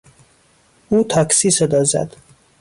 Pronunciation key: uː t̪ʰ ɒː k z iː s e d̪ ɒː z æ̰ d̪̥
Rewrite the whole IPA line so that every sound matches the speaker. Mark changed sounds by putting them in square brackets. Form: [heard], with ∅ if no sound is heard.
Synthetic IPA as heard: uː t̪ʰ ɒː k [s] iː s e d̪ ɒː z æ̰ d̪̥